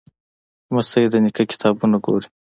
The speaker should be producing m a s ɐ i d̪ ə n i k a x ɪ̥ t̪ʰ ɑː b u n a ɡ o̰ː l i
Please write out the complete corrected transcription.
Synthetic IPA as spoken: m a s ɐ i d̪ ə n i k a k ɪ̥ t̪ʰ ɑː b u n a ɡ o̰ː ɾ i